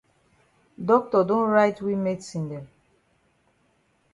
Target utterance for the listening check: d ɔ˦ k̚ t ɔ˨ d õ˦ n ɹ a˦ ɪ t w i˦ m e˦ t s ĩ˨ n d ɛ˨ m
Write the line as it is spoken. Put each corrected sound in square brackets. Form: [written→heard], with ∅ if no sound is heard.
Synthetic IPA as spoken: d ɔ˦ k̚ t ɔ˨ d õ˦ n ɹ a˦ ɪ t w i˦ m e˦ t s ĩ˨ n d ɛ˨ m